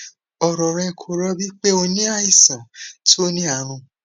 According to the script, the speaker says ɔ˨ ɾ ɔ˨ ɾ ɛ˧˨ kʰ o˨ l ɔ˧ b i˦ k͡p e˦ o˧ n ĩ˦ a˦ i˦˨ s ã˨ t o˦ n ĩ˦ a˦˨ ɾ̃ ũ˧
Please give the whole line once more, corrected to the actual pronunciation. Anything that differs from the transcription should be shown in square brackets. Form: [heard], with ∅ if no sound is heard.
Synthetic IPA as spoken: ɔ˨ ɾ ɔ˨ ɾ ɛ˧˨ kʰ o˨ [ɾ] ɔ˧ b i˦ k͡p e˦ o˧ n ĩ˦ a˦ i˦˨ s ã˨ t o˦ n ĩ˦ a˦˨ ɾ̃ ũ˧

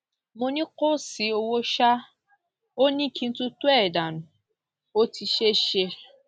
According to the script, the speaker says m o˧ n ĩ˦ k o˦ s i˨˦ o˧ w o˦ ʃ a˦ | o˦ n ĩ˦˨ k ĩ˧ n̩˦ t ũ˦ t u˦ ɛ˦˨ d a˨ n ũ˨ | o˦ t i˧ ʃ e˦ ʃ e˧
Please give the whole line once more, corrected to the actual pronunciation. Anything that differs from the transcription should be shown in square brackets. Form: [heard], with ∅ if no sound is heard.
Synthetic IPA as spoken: m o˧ n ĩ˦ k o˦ s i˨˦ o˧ w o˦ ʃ a˦ | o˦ n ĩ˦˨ k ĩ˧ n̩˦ t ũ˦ t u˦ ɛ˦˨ d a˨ n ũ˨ | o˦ t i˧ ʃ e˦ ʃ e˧

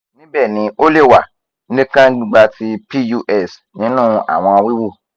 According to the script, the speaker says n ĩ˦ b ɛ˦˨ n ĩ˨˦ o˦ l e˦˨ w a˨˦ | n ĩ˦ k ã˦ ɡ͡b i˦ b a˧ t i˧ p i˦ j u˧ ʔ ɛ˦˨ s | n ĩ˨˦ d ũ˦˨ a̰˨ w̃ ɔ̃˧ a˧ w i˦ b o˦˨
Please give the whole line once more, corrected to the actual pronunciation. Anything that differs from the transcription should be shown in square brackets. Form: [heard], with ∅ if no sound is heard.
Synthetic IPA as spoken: n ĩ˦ b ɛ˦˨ n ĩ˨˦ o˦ l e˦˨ w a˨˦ | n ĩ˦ k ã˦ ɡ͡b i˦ [ɡ͡b] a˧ t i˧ p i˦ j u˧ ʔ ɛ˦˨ s | n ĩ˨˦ [n] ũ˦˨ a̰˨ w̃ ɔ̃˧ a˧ w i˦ [w] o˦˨

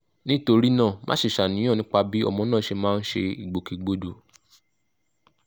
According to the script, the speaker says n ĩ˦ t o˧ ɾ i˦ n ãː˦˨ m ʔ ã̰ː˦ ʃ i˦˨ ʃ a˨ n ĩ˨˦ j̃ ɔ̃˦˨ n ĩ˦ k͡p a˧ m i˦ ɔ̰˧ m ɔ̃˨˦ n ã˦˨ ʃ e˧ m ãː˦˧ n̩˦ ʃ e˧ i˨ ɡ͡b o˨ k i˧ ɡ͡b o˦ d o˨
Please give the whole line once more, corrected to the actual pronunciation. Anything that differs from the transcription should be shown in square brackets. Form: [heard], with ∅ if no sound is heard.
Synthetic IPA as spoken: n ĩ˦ t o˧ ɾ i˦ n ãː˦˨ m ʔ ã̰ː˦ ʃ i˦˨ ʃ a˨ n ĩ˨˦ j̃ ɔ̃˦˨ n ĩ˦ k͡p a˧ [b] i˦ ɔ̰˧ m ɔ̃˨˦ n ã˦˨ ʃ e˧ m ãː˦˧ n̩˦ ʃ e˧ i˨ ɡ͡b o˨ k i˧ ɡ͡b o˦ d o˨

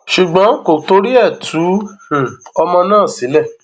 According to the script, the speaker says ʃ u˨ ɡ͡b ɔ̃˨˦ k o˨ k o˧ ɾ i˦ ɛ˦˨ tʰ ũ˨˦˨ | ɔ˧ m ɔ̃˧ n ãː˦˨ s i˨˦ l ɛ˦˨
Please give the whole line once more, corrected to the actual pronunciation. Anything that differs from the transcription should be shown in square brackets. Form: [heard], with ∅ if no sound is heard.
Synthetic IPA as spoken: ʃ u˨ ɡ͡b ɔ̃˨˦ k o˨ [t] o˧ ɾ i˦ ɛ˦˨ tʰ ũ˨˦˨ | ɔ˧ m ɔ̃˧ n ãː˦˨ s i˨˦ l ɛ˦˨

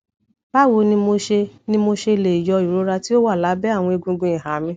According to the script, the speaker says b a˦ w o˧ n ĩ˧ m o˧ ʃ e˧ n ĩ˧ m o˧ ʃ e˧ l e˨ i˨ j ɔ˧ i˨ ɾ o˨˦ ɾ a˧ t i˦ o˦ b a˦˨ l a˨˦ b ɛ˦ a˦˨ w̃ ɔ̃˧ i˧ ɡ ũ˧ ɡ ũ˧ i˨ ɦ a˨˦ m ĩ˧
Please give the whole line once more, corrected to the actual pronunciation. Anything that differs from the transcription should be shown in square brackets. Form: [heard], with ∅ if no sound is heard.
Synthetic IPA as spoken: b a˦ w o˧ n ĩ˧ m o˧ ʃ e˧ n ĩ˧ m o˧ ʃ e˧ l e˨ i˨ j ɔ˧ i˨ ɾ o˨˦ ɾ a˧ t i˦ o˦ [w] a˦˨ l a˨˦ b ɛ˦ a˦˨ w̃ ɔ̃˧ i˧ ɡ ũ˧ ɡ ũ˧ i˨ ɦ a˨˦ m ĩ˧

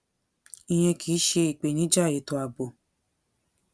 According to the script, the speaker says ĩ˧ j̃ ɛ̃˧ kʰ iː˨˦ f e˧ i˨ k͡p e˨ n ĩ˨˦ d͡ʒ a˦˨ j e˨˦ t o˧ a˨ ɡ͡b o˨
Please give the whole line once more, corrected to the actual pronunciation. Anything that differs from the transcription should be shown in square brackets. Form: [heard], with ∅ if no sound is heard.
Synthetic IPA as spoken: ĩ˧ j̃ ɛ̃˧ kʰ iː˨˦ [ʃ] e˧ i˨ k͡p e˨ n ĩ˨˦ d͡ʒ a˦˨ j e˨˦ t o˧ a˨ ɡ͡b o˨

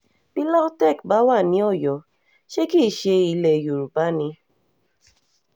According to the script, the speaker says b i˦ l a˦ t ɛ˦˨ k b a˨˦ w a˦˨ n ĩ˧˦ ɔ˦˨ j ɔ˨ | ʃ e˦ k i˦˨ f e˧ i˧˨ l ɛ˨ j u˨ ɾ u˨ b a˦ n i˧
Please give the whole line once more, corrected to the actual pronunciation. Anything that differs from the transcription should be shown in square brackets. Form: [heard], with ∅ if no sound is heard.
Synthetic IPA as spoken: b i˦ l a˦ t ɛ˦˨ k b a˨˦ w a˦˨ n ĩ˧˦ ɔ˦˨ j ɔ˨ | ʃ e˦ k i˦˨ [ʃ] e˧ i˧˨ l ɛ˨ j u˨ ɾ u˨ b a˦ n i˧

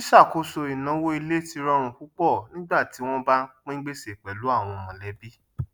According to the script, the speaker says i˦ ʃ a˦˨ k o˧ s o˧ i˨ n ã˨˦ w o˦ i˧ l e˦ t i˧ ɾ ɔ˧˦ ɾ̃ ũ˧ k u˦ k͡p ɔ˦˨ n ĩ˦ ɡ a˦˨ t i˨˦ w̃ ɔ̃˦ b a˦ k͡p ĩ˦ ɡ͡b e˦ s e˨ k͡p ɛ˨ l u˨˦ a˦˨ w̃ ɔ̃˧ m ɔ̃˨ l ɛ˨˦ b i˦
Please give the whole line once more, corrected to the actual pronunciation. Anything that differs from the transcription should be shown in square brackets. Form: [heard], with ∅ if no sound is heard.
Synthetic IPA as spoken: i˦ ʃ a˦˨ k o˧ s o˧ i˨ n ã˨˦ w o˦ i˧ l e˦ t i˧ ɾ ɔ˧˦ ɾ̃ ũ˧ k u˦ k͡p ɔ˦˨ n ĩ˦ [ɡ͡b] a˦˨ t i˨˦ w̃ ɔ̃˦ b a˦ k͡p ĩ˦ ɡ͡b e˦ s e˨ k͡p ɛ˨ l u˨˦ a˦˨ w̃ ɔ̃˧ m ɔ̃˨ l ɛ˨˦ b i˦

